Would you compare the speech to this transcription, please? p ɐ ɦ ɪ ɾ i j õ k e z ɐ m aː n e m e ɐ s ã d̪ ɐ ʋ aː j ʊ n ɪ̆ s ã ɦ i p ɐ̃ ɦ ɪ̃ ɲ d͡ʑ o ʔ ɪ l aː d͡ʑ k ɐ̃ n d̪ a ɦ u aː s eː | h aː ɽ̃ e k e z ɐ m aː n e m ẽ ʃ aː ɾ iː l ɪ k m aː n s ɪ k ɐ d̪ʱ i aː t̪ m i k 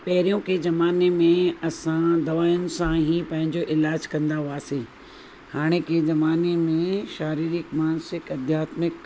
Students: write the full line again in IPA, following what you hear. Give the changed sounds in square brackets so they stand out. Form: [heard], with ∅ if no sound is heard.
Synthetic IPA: p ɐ ɦ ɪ ɾ i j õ k e z ɐ m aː n e m [ẽ] ɐ s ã d̪ ɐ ʋ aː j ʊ n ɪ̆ s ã ɦ i p ɐ̃ ɦ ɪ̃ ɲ d͡ʑ o ʔ ɪ l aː d͡ʑ k ɐ̃ n d̪ a ɦ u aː s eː | h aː ɽ̃ e k e z ɐ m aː n e m ẽ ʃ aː ɾ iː [ɾ] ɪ k m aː n s ɪ k ɐ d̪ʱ [j] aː t̪ m [ɪ] k